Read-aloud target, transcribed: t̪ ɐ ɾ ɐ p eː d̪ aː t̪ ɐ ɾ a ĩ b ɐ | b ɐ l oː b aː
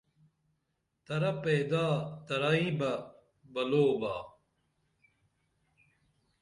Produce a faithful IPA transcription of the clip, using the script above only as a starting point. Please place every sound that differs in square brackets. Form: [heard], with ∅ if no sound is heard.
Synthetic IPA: t̪ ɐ ɾ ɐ p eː d̪ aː t̪ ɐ ɾ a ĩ b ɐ | b ɐ l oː b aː